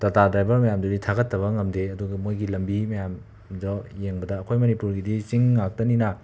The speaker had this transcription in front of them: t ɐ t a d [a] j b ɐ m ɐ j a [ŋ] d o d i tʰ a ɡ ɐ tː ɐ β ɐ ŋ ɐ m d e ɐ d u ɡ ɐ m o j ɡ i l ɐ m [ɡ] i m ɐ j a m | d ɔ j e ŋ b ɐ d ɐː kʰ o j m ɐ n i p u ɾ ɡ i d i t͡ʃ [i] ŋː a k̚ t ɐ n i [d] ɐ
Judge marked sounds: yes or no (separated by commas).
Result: yes, no, no, yes, no